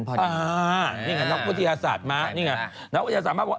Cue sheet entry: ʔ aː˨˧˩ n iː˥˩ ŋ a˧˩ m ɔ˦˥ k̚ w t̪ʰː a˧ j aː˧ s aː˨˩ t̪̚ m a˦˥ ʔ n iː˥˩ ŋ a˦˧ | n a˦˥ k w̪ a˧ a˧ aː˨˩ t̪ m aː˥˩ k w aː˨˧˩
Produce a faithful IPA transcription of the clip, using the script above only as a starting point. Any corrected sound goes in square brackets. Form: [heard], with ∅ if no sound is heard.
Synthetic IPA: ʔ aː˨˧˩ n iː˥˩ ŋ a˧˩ [n] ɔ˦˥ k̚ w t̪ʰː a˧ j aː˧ s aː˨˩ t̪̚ m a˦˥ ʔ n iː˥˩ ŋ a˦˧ | n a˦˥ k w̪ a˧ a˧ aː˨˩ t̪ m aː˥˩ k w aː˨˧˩